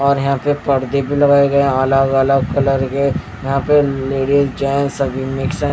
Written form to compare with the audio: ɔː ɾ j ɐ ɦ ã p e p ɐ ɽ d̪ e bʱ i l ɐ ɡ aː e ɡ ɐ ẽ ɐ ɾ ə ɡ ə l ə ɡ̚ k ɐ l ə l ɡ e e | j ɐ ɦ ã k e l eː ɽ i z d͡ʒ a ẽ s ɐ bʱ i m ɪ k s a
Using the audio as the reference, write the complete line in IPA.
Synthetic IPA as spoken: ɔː ɾ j ɐ ɦ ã p e p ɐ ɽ d̪ e bʱ i l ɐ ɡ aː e ɡ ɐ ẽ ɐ l ə ɡ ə l ə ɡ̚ k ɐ l ə ɾ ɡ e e | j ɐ ɦ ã p e l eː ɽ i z d͡ʒ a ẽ s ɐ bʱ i m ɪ k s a